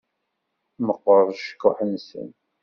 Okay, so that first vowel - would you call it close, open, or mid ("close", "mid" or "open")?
mid